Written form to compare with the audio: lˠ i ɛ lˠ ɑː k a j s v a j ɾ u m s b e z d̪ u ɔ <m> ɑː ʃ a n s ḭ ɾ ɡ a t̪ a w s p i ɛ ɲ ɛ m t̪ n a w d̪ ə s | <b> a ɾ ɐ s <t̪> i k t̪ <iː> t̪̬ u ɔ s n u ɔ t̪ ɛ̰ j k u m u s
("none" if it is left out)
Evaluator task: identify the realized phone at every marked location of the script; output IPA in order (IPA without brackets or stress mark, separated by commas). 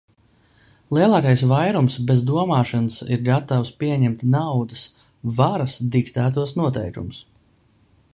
m, v, d̪, æː